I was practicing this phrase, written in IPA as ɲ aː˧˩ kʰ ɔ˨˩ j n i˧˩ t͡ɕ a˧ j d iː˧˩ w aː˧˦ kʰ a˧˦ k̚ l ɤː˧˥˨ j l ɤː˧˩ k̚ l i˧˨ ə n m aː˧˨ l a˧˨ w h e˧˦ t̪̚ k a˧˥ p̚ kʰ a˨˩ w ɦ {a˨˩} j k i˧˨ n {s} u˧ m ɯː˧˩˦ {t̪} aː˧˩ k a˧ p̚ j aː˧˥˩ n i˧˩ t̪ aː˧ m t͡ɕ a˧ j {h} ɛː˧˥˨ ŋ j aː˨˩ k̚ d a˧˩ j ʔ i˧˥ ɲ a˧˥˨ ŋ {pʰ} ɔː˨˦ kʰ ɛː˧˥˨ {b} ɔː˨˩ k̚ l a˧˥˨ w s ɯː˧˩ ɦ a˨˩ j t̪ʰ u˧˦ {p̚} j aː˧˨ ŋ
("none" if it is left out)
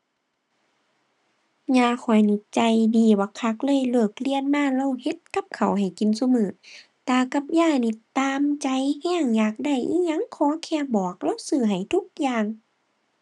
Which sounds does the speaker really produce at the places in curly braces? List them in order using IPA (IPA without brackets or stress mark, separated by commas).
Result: a˨˩, s, t̪, h, kʰ, b, k̚